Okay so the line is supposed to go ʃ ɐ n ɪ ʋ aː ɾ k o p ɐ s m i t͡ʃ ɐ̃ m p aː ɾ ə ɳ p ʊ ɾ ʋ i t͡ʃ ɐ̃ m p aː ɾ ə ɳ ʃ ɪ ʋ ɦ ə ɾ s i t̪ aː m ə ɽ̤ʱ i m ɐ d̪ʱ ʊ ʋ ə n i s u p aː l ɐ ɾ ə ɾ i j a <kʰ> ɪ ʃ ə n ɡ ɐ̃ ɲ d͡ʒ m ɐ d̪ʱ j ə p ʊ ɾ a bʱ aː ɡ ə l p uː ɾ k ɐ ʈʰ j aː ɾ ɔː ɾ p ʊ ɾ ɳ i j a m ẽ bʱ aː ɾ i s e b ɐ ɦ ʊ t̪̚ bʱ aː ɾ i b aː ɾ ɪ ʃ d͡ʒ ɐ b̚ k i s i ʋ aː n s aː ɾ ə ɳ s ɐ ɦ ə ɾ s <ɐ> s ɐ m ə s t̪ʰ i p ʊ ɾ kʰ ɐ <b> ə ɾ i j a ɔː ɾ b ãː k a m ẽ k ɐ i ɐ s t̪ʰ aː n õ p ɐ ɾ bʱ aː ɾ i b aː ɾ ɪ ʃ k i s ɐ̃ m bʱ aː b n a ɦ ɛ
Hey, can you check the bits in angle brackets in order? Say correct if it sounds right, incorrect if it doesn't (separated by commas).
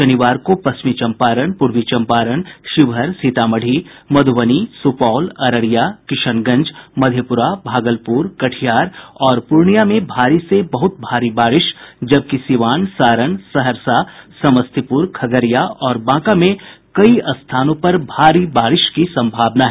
incorrect, incorrect, incorrect